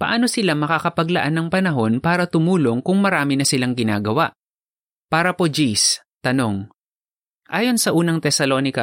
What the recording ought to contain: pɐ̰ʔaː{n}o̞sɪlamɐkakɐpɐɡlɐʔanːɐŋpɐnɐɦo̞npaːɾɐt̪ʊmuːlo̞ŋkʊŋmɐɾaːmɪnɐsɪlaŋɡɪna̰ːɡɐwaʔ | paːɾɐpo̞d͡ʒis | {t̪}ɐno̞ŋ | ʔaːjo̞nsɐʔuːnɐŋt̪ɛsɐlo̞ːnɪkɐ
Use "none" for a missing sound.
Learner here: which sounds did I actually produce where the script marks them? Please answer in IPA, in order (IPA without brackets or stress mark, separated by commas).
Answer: n, t̪